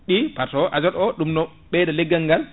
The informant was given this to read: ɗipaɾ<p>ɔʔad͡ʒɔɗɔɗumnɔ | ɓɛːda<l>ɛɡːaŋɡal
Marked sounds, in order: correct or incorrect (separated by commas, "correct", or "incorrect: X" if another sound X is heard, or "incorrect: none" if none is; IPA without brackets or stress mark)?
incorrect: t, correct